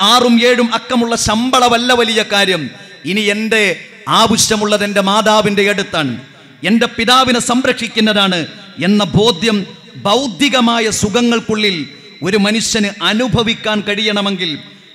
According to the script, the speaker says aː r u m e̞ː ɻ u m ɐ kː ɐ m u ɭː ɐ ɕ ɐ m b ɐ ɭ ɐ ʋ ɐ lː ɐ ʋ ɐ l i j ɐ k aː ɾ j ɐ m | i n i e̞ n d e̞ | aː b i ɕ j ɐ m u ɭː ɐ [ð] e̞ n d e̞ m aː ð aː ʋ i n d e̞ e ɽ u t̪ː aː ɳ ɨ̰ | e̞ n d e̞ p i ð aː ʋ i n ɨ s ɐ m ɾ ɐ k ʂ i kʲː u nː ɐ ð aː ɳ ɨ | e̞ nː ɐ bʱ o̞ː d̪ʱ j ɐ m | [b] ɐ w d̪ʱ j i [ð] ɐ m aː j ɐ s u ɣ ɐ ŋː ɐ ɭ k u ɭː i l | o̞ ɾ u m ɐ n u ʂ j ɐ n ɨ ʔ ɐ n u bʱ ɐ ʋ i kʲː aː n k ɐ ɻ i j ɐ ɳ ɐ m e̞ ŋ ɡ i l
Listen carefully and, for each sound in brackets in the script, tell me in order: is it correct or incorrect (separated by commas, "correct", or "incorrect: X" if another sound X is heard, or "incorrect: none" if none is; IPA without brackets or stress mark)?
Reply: correct, correct, incorrect: ɣ